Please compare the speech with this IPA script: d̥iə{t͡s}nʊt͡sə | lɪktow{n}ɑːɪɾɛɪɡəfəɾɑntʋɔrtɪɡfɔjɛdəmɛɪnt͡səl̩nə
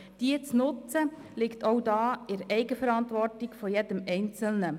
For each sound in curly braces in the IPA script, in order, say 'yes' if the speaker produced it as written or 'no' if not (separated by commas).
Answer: yes, no